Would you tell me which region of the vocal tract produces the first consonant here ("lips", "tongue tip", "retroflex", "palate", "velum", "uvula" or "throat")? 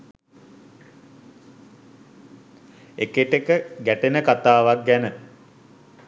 velum